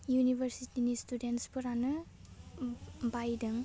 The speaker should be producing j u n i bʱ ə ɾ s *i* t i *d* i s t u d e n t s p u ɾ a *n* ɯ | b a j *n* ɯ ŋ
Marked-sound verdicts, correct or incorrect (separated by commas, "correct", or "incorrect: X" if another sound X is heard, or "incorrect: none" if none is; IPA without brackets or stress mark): correct, incorrect: n, correct, incorrect: d